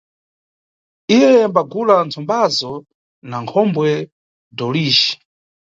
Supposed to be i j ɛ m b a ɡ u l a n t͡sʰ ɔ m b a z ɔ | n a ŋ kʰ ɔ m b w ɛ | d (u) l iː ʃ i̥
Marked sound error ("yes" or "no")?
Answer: yes